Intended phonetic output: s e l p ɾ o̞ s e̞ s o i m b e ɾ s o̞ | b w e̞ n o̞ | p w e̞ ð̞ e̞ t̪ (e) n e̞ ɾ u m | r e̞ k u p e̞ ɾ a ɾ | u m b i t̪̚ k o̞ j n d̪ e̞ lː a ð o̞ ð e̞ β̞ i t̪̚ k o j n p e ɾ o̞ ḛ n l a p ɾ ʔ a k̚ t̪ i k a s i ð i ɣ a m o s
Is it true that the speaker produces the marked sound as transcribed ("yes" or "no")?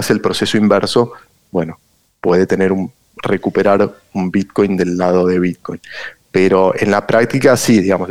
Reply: yes